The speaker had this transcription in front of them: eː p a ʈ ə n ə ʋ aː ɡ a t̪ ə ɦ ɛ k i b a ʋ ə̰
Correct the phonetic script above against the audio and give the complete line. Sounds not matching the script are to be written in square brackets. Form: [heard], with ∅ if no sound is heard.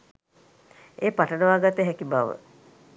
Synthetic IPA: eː p a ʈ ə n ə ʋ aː ɡ a t̪ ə ɦ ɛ k i b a ʋ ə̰